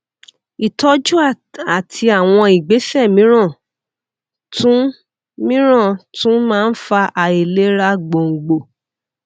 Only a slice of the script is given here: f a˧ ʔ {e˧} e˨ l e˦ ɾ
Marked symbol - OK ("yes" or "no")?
no